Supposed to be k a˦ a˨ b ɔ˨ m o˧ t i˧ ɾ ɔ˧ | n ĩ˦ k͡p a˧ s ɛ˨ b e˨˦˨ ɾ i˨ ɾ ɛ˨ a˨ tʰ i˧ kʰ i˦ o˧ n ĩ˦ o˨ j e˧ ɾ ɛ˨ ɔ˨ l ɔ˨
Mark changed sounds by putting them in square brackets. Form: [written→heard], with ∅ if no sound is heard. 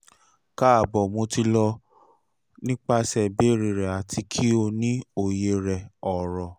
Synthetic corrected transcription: k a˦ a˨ b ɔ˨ m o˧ t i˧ [ɾ→l] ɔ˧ | n ĩ˦ k͡p a˧ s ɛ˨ b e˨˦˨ ɾ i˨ ɾ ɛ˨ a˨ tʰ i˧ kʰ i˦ o˧ n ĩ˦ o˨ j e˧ ɾ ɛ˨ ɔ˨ [l→ɾ] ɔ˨